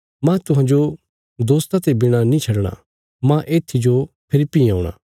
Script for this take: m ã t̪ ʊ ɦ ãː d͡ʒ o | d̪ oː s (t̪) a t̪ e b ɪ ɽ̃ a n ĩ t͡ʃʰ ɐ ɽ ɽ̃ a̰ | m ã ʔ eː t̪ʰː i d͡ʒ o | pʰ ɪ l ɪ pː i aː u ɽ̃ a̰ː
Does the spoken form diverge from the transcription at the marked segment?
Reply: no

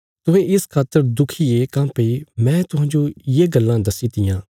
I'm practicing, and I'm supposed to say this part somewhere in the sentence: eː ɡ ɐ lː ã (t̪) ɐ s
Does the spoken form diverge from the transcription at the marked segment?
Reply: yes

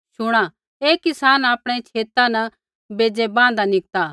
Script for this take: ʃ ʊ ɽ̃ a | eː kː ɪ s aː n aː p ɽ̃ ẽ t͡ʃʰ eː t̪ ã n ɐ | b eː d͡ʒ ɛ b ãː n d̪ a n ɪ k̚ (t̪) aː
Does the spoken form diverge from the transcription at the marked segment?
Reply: no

